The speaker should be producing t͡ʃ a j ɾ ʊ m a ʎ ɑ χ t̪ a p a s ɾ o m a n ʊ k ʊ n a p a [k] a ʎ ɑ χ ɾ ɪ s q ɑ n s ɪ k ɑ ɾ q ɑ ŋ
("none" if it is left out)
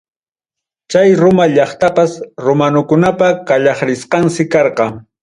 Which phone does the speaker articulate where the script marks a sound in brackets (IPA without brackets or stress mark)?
k